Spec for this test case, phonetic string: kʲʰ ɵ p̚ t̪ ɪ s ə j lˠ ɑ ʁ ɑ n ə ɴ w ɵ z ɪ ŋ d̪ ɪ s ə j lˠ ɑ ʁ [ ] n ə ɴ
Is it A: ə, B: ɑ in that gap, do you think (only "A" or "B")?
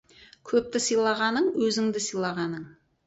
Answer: B